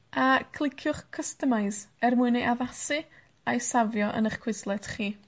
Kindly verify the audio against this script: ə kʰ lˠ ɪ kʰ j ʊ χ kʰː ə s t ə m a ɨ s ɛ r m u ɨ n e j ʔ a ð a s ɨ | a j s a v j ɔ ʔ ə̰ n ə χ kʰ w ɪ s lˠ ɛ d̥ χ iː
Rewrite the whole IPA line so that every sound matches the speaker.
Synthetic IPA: a kʰ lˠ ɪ kʰ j ʊ χ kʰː ə s t ə m a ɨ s ɛ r m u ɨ n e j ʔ a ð a s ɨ | a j s a v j ɔ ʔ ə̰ n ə χ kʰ w ɪ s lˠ ɛ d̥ χ iː

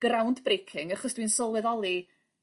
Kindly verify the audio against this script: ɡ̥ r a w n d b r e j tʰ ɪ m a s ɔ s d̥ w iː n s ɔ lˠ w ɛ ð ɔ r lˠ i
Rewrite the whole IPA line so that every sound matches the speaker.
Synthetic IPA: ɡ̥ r a w n d b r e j kʰ ɪ ŋ a χ ɔ s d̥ w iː n s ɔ lˠ w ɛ ð ɔ lˠ i

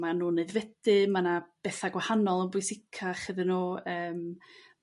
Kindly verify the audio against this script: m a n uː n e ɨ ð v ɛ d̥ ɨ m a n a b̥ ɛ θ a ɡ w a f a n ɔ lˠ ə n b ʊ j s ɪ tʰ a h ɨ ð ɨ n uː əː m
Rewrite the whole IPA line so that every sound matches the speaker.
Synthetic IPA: m a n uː n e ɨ ð v ɛ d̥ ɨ m a n a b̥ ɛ θ a ɡ w a h a n ɔ lˠ ə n b ʊ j s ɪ kʰ a χ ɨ ð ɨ n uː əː m

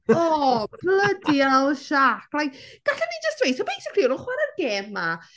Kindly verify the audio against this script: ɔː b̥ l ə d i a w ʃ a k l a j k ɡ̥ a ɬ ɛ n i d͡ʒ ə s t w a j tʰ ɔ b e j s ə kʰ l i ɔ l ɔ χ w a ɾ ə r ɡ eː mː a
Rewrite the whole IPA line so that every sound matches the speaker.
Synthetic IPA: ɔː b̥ l ə d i a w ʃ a k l a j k ɡ̥ a ɬ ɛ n i d͡ʒ ə s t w e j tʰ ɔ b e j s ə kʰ r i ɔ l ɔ χ w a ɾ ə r ɡ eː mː a

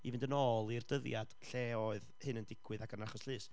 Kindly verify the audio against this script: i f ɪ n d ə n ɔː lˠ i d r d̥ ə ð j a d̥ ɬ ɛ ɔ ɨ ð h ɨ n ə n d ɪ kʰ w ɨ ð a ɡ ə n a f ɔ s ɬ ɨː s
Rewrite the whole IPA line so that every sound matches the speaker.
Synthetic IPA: i v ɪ n d ə n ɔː lˠ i r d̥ ə ð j a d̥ ɬ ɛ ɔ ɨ ð h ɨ n ə n d ɪ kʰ w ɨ ð a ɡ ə n a χ ɔ s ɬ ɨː s

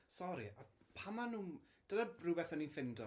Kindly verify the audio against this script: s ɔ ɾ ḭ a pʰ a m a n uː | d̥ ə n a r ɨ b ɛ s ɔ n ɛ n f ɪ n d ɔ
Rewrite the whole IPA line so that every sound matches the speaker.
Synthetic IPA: s ɔ ɾ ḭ a pʰ a m a n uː | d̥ ə n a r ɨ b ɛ θ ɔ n i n f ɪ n d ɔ

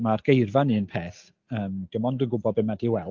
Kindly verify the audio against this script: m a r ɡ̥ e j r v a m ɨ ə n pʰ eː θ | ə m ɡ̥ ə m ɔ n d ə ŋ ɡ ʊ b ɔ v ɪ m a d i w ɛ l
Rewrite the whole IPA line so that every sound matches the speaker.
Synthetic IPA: m a r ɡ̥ e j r v a n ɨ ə n pʰ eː θ | əː m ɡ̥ ə m ɔ n d ə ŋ ɡ ʊ b ɔ b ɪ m a d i w ɛ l

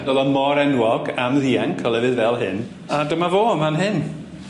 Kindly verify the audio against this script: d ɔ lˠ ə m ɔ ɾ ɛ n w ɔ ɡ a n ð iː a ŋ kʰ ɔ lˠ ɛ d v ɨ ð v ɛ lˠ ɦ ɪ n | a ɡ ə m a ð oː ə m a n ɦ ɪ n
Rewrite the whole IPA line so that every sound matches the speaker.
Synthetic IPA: d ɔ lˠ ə m ɔ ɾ ɛ n w ɔ ɡ a m ð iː a ŋ kʰ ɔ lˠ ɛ v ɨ ð v ɛ lˠ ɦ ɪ n | a d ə m a v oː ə m a n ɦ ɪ n

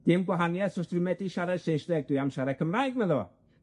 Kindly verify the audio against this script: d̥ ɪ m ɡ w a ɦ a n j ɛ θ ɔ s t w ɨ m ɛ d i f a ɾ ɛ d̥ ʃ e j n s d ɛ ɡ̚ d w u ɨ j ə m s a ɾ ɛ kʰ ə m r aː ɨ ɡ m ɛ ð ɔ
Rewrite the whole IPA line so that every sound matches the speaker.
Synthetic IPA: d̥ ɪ m ɡ w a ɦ a n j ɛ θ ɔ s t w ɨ m ɛ d i ʃ a ɾ ɛ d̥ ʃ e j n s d ɛ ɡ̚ d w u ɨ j a m ʃ a ɾ ɛ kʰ ə m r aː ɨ ɡ m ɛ ð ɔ

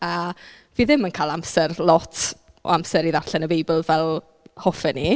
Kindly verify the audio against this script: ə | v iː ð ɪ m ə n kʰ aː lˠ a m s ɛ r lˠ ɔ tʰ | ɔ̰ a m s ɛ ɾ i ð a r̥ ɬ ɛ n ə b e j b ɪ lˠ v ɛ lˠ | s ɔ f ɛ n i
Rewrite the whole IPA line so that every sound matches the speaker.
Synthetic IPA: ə | v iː ð ɪ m ə n kʰ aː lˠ a m s ɛ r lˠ ɔ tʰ | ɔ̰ a m s ɛ ɾ i ð a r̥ ɬ ɛ n ə b e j b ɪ lˠ v ɛ lˠ | h ɔ f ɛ n i

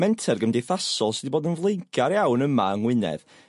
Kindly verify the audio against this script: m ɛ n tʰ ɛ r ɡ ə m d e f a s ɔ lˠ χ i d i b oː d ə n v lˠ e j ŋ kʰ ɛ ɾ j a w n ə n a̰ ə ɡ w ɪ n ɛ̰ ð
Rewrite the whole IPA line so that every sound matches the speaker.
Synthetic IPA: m ɛ n tʰ ɛ r ɡ ə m d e θ a s ɔ lˠ s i d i b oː d ə n v lˠ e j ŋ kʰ a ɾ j a w n ə m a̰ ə ŋ w ɪ n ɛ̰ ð

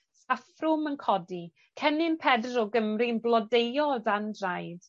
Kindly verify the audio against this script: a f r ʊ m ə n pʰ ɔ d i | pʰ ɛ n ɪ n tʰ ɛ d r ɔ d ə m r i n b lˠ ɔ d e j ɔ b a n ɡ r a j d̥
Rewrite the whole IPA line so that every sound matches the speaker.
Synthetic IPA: a f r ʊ m ə n kʰ ɔ d i | kʰ ɛ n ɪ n pʰ ɛ d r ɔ ɡ ə m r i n b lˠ ɔ d e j ɔ d a n d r a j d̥

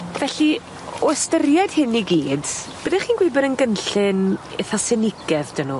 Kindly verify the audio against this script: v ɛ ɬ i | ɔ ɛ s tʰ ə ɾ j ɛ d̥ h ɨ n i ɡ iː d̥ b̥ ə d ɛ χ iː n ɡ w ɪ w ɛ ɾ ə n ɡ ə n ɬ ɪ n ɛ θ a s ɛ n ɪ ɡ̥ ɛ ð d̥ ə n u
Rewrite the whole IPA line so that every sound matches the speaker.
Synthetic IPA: v ɛ ɬ i | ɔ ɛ s t ə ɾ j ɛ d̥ h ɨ n i ɡ iː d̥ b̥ ə d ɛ χ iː n ɡ w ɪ b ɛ ɾ ə n ɡ ə n ɬ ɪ n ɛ θ a s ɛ n ɪ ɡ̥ ɛ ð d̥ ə n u

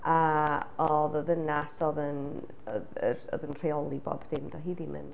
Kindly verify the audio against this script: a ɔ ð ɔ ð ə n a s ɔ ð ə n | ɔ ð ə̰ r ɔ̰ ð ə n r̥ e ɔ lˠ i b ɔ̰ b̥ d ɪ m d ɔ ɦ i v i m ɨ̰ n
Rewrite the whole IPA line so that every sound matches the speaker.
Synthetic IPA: a ɔ ð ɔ ð ə n a s ɔ ð ə n | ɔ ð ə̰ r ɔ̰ ð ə n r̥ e ɔ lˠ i b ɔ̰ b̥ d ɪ m d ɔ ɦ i ð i m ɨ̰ n

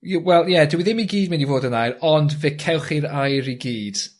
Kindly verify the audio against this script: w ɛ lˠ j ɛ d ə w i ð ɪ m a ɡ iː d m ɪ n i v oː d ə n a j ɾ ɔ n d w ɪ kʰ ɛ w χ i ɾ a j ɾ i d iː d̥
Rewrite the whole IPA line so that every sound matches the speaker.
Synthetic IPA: w ɛ lˠ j ɛ d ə w i ð ɪ m i ɡ iː d m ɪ n i v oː d ə n a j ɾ ɔ n d v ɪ kʰ ɛ w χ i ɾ a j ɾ i ɡ iː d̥

